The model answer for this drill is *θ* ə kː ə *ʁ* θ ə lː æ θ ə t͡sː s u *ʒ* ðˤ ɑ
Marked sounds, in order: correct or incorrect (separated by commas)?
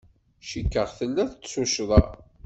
incorrect, correct, incorrect